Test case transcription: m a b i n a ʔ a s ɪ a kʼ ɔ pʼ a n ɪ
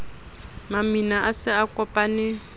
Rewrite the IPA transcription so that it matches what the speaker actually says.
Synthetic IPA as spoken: m a m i n a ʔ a s ɪ a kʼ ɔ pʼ a n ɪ